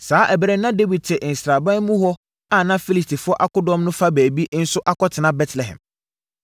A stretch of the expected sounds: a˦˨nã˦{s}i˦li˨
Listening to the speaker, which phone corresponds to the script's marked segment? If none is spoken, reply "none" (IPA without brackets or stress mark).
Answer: f